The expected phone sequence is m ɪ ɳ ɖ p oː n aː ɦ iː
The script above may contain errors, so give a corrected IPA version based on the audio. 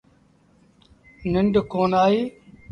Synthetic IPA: n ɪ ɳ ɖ k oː n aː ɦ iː